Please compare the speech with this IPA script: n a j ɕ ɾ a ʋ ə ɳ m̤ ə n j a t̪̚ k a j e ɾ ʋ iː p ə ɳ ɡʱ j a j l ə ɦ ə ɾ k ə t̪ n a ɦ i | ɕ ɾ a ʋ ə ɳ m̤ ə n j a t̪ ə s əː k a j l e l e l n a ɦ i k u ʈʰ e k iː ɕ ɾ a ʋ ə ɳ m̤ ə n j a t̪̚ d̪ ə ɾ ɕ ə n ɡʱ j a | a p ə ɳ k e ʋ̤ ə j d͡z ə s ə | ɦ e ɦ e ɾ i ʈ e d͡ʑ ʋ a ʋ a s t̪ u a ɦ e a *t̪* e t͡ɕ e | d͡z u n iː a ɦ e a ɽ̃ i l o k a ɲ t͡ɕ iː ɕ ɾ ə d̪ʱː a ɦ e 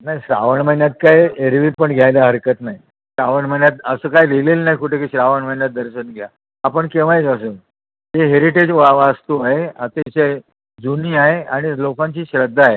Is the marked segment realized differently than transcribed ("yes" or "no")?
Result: no